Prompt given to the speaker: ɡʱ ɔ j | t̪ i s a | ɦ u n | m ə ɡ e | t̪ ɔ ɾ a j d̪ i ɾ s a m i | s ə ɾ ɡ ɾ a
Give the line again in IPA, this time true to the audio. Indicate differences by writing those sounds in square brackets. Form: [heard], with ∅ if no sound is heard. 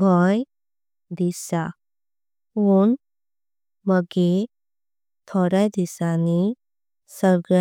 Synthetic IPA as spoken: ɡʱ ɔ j | [d̪] i s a | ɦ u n | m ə ɡ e | [t̪ʰ] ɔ ɾ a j d̪ i [∅] s a [n] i | s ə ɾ ɡ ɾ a